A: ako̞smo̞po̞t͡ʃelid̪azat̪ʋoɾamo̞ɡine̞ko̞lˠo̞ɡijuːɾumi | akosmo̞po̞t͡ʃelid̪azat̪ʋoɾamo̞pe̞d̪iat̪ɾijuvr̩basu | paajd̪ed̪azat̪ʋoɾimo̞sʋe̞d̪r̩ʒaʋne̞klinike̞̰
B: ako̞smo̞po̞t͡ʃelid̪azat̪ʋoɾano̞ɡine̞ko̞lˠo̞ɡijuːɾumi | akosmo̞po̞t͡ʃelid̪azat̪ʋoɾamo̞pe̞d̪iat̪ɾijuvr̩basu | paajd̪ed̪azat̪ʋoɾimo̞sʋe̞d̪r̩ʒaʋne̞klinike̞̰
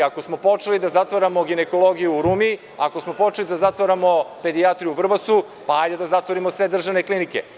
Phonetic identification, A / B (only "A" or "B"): A